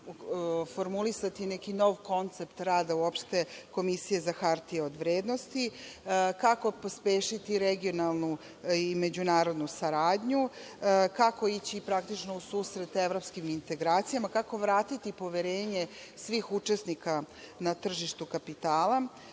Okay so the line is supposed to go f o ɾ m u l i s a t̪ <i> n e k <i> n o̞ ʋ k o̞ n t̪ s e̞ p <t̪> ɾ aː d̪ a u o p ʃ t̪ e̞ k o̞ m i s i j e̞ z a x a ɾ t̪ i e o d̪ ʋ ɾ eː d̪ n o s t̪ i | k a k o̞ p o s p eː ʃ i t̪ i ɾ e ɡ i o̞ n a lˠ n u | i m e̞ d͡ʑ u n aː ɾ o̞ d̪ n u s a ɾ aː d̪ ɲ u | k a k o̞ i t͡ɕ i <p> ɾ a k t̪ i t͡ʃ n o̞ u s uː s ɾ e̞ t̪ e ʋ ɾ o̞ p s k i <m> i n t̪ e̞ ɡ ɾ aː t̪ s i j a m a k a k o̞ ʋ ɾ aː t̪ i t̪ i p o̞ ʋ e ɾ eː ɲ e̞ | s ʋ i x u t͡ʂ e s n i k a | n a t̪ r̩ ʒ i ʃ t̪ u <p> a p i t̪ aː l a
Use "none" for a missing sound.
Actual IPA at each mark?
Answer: i, i, t̪, p, m, k

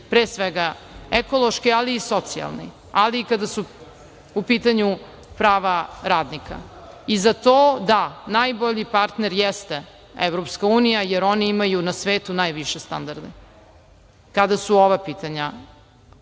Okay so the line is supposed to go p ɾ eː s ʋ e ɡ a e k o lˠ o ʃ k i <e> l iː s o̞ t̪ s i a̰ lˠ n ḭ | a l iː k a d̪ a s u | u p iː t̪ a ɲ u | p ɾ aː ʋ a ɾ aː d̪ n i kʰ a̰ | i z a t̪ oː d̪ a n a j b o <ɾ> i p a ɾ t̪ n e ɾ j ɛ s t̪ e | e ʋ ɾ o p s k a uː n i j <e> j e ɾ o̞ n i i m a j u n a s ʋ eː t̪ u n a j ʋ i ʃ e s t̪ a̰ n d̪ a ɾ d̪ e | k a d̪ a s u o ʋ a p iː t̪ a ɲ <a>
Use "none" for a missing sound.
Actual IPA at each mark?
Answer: a, ʎ, a, a

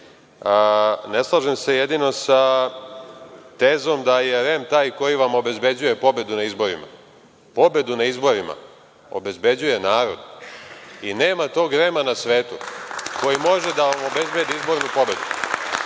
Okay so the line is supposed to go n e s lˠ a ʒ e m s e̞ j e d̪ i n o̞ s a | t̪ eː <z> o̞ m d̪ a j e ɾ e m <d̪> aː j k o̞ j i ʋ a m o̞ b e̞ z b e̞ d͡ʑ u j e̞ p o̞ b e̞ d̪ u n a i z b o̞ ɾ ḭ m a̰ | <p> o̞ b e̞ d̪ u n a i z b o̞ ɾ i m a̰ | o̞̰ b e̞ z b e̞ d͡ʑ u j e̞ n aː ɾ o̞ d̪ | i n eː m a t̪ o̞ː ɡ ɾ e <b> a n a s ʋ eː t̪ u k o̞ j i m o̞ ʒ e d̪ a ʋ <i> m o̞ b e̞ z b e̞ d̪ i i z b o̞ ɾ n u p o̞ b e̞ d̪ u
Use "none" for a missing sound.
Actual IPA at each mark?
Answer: z, t̪, p, m, a

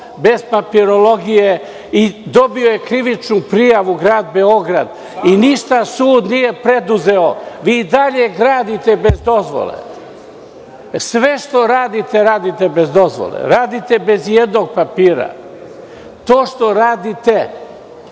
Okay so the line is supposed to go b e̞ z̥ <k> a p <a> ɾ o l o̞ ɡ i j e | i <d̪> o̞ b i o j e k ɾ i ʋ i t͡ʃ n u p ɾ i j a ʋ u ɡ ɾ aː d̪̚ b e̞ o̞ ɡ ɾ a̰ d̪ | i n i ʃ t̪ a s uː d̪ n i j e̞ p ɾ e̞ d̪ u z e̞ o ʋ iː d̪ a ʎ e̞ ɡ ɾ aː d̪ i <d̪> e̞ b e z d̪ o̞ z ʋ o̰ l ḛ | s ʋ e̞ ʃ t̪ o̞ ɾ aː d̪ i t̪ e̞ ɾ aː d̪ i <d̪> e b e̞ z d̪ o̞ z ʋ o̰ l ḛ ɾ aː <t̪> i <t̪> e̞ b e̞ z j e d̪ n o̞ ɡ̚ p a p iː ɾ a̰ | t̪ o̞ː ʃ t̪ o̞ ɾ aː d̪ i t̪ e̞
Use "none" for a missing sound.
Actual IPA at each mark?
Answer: p, i, d̪, t̪, t̪, d̪, t̪

